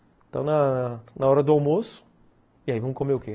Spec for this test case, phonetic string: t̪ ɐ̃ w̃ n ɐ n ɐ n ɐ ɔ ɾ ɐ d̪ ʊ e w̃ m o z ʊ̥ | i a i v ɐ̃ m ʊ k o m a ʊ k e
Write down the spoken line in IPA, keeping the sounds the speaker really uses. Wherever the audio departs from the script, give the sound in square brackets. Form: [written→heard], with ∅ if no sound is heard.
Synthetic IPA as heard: t̪ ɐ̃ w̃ n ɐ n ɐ n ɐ ɔ ɾ ɐ d̪ ʊ [e→a] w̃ m o [z→s] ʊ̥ | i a i v ɐ̃ m ʊ k o m [a→e] ʊ k e